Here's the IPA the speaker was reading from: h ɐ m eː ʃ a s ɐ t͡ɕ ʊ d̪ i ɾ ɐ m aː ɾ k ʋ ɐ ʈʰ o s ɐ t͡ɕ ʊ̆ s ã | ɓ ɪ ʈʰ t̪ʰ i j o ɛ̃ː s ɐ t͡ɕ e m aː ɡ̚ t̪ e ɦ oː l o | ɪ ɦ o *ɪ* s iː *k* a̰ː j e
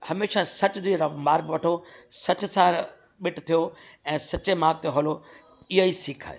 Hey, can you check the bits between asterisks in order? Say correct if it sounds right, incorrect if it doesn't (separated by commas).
incorrect, incorrect